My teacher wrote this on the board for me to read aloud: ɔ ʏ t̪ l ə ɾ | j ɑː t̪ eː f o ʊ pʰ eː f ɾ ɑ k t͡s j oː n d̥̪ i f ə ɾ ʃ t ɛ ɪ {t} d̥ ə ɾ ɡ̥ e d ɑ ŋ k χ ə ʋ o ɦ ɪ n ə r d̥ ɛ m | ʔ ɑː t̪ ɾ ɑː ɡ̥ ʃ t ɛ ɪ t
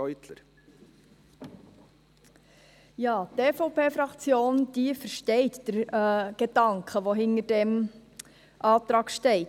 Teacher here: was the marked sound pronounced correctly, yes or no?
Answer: yes